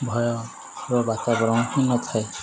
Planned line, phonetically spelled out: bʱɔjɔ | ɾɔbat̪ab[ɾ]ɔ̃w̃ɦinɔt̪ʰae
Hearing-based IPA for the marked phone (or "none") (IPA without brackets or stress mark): ɾ